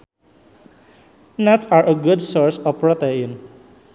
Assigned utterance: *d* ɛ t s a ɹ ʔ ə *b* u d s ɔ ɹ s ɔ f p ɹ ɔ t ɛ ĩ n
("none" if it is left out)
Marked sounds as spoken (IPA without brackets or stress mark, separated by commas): n, ɡ